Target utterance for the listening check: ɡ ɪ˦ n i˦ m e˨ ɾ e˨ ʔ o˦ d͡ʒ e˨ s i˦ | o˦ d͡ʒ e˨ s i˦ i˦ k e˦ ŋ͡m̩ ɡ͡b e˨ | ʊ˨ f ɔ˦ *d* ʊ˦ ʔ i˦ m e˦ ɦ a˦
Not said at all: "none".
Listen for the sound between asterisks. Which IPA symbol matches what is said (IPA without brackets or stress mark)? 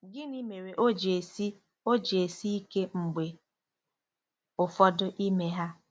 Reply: d